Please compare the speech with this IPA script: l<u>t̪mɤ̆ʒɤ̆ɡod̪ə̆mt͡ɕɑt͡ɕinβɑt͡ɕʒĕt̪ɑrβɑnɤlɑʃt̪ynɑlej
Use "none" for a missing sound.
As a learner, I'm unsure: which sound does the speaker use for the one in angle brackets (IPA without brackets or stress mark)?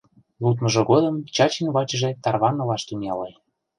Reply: u